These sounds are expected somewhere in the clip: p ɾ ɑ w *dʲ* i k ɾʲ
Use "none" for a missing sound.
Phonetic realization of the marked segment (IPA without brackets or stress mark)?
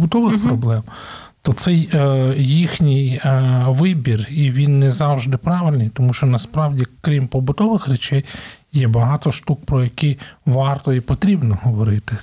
dʲ